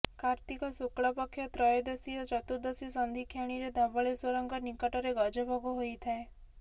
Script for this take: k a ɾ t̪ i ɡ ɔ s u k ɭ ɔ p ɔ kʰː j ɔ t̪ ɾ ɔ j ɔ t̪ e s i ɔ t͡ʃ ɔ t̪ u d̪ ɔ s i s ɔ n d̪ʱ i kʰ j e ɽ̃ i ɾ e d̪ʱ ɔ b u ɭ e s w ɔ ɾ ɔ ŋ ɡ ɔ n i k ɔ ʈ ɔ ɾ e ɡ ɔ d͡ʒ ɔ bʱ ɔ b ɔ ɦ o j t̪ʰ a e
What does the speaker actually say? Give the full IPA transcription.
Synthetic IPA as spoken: k a ɾ t̪ i k ɔ s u k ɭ ɔ p ɔ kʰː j ɔ t̪ ɾ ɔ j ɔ d̪ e s i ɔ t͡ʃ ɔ t̪ u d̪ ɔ s i s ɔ n d̪ʱ i kʰ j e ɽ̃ i ɾ e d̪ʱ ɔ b ɔ ɭ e s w ɔ ɾ ɔ ŋ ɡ ɔ n i k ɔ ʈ ɔ ɾ e ɡ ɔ d͡ʒ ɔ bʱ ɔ ɡ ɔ ɦ o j t̪ʰ a e